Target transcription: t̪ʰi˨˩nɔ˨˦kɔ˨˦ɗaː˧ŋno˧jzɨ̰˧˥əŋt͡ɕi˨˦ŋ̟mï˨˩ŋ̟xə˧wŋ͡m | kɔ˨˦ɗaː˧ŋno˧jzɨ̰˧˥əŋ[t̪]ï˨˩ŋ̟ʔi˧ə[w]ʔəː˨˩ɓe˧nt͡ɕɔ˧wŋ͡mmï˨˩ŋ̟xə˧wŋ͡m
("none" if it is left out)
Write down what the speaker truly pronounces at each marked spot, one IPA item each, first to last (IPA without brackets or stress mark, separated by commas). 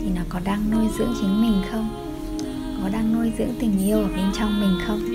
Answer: t̪, w